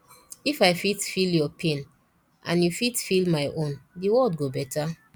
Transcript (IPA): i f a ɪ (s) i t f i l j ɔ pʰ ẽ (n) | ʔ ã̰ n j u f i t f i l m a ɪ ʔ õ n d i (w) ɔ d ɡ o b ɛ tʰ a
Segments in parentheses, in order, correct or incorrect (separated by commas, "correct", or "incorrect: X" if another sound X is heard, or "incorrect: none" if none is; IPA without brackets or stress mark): incorrect: f, correct, correct